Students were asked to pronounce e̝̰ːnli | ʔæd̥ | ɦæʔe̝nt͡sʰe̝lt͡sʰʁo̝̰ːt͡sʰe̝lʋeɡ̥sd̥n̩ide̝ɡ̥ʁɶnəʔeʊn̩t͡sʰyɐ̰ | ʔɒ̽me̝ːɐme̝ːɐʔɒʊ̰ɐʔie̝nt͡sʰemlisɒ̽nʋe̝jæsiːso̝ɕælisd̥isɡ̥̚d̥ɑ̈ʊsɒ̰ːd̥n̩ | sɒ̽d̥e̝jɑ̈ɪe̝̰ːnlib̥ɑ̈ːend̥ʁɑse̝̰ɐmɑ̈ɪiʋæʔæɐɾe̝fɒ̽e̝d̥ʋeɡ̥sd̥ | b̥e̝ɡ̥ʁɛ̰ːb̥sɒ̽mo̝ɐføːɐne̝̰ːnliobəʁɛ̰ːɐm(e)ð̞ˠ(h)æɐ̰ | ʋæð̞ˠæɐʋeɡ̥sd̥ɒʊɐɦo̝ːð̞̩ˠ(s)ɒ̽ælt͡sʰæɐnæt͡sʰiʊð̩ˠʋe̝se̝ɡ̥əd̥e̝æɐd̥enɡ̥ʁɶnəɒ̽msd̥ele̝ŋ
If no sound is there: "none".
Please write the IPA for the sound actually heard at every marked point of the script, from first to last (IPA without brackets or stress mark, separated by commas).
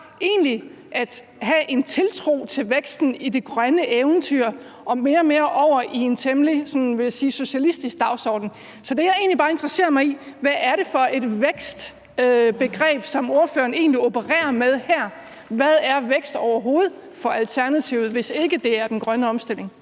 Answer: e, h, f